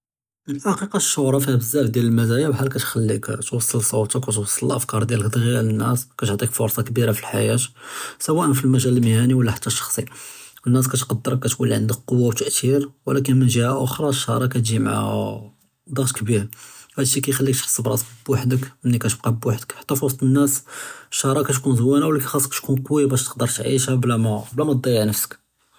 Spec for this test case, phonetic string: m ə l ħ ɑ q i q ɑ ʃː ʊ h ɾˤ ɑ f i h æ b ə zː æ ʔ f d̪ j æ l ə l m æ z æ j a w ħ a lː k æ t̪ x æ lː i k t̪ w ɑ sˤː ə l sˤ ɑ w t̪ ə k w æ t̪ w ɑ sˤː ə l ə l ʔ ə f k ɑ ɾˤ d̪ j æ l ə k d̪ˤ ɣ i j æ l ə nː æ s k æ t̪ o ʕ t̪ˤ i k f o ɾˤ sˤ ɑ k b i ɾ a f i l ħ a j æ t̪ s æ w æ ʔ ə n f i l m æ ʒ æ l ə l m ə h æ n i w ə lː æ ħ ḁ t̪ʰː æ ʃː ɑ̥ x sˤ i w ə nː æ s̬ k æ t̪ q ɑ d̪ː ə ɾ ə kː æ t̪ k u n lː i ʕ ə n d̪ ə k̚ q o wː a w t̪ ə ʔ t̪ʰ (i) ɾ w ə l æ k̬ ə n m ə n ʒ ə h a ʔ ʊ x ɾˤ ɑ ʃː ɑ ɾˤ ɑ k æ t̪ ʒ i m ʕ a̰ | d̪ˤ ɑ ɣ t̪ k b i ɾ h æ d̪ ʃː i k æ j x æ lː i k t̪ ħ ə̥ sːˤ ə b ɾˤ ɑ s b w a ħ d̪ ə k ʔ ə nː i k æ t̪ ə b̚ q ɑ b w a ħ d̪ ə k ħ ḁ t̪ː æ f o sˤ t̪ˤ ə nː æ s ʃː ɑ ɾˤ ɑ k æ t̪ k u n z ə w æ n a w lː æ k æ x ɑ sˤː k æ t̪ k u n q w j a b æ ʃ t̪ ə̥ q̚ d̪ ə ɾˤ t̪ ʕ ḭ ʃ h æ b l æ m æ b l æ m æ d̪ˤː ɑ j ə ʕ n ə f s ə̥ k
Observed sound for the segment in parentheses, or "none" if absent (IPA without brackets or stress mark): i